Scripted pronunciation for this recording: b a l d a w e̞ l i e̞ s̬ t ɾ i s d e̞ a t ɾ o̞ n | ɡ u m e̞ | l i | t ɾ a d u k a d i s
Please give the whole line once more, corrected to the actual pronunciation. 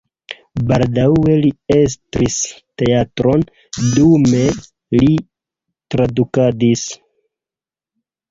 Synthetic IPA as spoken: b a l d a w e̞ l i e̞ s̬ t ɾ i s t e̞ a t ɾ o̞ n | d u m e̞ | l i | t ɾ a d u k a d i s